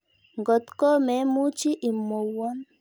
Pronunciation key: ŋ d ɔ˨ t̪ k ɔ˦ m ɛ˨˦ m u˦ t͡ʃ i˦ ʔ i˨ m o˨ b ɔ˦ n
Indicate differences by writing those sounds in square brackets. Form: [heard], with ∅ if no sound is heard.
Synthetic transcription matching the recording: ŋ [ɡ] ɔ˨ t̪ k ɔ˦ m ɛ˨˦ m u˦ t͡ʃ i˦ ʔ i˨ m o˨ [w] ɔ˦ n

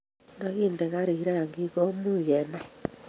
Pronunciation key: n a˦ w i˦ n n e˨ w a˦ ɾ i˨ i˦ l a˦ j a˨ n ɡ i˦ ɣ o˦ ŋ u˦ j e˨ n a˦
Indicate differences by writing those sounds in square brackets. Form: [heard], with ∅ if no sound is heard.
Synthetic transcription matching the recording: n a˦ [ɣ] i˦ n [d] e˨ [ɣ] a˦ ɾ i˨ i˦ [ɾ] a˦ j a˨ [ŋ] ɡ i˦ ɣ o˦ [m] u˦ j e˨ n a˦

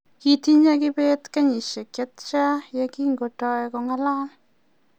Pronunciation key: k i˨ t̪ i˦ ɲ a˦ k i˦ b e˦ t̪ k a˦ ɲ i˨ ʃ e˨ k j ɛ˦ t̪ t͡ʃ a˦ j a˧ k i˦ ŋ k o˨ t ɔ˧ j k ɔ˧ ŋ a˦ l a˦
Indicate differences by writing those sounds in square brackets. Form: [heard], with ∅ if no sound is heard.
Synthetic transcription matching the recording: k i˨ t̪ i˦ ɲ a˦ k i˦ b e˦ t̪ k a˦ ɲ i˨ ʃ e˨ k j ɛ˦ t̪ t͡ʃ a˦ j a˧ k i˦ ŋ [ɡ] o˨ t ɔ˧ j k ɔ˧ ŋ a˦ l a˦

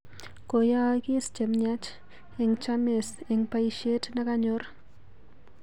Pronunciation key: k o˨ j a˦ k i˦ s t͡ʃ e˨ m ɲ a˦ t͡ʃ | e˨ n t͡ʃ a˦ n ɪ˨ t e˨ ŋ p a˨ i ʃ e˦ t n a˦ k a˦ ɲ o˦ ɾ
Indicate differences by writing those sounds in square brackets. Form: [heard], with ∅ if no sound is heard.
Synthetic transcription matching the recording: k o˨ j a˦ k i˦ s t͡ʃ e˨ m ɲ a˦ t͡ʃ | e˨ [ŋ] t͡ʃ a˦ [m] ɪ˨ [s] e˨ ŋ p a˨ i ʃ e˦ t n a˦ k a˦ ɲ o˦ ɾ

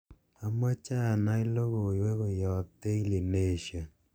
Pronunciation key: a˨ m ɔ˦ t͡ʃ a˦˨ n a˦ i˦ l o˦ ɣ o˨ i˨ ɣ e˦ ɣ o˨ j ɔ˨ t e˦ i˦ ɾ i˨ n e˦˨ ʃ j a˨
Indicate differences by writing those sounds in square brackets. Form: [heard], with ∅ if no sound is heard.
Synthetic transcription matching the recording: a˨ m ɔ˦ t͡ʃ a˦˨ n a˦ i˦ l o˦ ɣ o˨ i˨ [w] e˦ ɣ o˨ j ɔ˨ t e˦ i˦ [l] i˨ n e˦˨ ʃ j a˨

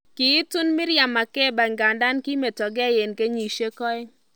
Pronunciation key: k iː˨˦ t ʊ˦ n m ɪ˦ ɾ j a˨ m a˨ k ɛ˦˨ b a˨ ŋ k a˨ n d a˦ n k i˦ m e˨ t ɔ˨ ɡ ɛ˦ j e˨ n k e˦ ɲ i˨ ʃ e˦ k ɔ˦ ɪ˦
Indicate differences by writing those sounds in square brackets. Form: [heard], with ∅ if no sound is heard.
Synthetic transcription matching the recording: k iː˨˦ t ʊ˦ n m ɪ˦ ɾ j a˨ m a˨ k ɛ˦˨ b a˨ ŋ [ɡ] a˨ n d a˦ n k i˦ m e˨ t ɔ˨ ɡ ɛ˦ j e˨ n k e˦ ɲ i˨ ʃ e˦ k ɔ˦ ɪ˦

